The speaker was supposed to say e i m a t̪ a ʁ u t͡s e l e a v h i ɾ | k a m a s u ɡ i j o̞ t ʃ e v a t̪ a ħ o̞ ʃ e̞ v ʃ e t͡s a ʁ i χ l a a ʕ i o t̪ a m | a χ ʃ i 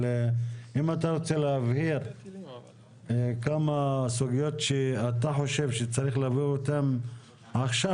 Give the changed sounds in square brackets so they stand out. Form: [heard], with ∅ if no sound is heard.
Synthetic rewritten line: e i m a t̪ a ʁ [o] t͡s e l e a v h i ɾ | k a m a s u ɡ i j o̞ t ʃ e [∅] a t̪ a ħ o̞ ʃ e̞ v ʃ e t͡s a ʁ i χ l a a [v] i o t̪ a m | a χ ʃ [a]